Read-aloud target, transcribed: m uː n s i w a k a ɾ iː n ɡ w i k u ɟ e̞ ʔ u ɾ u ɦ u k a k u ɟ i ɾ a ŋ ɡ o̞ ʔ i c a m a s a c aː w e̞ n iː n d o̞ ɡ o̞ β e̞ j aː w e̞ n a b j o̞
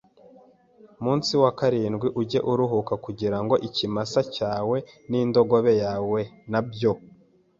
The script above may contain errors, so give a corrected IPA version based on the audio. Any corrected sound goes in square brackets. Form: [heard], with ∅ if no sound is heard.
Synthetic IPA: m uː n s i w a k a ɾ iː n ɡ w i [ʔ] u ɟ e̞ ʔ u ɾ u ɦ u k a k u ɟ i ɾ a ŋ ɡ o̞ ʔ i c [i] m a s a c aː w e̞ n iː n d o̞ ɡ o̞ β e̞ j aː w e̞ n a b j o̞